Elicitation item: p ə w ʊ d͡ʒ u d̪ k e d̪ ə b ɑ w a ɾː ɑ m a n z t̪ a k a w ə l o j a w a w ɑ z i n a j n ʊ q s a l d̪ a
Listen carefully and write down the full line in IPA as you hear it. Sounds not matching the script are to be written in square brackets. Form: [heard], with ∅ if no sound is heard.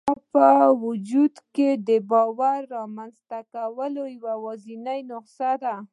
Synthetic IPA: p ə w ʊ d͡ʒ u d̪ k e d̪ ə b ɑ w a ɾː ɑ m a n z t̪ a k a w ə l o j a w a w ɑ z i n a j n ʊ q s a [∅] d̪ a